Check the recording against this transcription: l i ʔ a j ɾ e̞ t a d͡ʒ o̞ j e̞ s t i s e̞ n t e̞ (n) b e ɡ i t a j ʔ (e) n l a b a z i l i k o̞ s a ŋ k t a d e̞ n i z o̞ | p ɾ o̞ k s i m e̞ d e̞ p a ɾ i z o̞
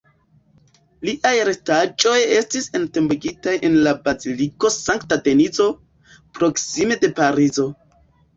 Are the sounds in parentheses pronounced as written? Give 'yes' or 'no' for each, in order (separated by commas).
no, yes